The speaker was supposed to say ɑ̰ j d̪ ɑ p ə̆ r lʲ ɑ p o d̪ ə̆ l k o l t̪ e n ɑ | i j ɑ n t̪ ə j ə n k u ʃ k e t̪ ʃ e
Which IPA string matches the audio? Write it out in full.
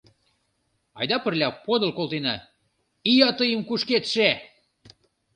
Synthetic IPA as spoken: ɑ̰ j d̪ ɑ p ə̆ r lʲ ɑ p o d̪ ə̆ l k o l t̪ e n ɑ | i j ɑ t̪ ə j ə m k u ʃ k e t̪ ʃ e